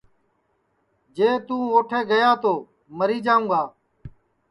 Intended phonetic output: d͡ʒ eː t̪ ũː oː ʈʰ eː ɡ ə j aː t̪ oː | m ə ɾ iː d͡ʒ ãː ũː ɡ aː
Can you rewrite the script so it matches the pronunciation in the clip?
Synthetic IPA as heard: d͡ʒ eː t̪ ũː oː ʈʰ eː ɡ ə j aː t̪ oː | m ə ɾ iː d͡ʒ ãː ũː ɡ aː